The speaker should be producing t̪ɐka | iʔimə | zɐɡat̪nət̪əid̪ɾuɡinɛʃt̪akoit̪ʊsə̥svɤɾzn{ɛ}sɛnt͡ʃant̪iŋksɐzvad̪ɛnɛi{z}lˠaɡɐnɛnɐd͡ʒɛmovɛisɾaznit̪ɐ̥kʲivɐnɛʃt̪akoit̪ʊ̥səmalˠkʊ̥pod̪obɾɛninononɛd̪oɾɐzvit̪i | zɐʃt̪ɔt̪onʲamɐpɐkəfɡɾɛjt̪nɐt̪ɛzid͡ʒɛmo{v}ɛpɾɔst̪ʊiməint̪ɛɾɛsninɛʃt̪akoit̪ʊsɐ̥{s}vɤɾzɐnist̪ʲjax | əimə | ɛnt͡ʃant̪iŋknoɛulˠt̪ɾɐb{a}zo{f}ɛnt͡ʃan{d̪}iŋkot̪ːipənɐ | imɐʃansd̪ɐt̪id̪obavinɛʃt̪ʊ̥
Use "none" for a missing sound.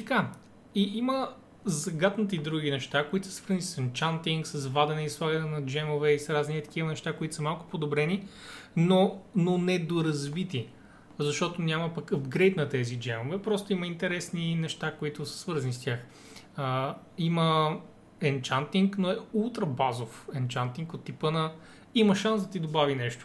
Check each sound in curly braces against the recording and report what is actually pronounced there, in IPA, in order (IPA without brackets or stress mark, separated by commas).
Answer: i, s, v, s, a, f, t̪